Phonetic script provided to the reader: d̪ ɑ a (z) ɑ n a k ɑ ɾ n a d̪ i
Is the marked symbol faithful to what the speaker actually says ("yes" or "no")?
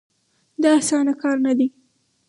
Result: no